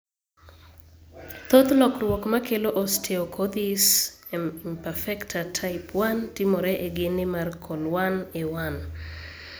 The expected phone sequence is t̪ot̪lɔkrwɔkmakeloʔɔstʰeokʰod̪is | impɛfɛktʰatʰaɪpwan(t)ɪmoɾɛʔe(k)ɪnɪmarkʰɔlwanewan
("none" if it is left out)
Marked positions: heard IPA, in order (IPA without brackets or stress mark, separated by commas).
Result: t, ɡ